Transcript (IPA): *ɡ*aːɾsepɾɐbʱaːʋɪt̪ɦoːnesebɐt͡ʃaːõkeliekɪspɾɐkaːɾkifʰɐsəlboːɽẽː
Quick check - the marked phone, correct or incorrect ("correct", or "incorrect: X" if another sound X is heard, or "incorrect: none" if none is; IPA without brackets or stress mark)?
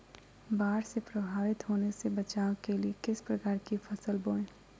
incorrect: b